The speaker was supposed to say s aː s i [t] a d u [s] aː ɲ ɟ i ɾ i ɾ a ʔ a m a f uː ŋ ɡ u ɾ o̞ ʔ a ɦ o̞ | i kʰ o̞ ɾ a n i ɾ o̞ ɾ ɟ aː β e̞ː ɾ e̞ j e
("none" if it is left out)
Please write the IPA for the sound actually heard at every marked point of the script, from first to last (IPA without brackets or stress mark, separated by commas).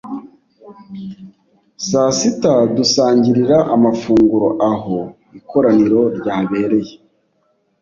t, s